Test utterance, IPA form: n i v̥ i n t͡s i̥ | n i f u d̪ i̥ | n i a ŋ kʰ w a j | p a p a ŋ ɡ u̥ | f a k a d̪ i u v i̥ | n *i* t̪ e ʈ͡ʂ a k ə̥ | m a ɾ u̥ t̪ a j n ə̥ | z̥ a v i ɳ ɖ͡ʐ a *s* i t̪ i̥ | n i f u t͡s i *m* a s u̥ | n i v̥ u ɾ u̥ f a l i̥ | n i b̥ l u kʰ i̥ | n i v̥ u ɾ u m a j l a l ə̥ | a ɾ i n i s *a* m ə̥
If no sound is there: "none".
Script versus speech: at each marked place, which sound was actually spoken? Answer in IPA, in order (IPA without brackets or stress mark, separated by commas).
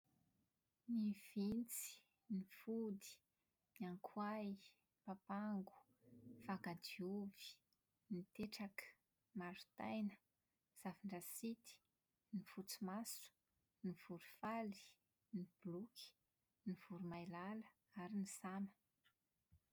i, s, m, a